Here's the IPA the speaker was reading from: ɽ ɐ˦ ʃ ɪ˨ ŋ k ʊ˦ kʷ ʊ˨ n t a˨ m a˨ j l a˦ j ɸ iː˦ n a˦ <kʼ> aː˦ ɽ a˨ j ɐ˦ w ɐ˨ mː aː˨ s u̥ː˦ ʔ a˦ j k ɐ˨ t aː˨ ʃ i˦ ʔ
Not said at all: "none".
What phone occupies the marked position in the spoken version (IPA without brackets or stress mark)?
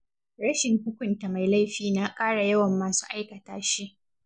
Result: kʼ